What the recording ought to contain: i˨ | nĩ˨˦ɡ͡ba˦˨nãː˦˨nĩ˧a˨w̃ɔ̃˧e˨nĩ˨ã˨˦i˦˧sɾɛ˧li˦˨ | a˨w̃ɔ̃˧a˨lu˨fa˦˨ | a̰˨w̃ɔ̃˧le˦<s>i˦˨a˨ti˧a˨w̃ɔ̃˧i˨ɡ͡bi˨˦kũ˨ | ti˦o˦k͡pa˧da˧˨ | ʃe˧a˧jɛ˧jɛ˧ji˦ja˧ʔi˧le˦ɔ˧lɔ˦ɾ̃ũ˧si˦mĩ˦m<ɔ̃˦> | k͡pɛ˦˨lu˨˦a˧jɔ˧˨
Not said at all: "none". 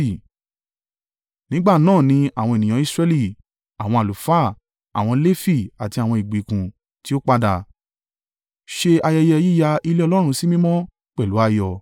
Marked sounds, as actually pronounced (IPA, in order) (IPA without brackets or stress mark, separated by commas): f, ɔ̃˦